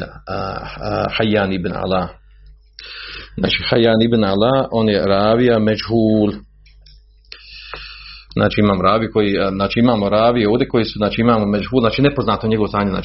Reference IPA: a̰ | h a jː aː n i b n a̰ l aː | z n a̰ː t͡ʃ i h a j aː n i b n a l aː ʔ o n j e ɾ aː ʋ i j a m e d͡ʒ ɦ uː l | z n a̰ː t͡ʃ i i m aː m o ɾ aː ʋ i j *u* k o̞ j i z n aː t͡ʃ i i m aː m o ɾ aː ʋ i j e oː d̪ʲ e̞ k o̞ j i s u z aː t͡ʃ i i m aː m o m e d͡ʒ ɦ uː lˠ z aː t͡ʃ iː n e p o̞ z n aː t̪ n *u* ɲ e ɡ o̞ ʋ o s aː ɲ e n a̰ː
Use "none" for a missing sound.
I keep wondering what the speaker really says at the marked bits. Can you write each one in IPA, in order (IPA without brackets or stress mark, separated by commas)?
u, o